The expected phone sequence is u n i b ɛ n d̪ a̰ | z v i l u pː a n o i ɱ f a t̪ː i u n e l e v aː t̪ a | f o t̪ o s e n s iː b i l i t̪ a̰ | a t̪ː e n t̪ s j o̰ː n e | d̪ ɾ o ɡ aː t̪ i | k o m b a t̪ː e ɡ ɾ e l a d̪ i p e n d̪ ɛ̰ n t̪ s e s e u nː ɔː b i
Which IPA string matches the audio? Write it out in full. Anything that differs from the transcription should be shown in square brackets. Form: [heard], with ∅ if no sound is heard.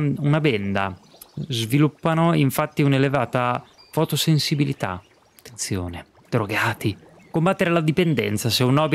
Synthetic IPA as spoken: u n [a] b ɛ n d̪ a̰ | z v i l u pː a n o i ɱ f a t̪ː i u n e l e v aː t̪ a | f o t̪ o s e n s [i] b i l i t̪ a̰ | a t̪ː e n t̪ s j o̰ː n e | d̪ ɾ o ɡ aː t̪ i | k o m b a t̪ː e [∅] ɾ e l a d̪ i p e n d̪ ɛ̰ n t̪ s [a] s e u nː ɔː b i